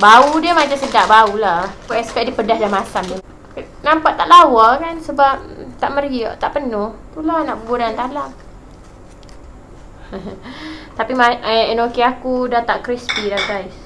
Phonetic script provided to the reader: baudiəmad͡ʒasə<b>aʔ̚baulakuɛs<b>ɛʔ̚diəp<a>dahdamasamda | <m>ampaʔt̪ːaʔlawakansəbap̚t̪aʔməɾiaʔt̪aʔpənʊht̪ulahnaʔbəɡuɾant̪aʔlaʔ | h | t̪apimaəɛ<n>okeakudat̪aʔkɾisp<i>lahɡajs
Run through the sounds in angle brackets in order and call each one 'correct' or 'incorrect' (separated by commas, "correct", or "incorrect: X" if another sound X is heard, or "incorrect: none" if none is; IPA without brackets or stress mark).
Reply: incorrect: d, incorrect: p, incorrect: ə, incorrect: n, correct, correct